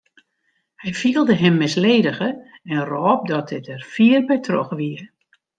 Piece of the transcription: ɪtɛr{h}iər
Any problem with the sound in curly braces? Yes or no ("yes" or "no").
yes